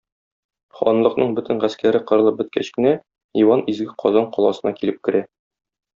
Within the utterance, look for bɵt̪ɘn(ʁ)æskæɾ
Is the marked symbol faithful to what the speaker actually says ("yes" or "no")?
yes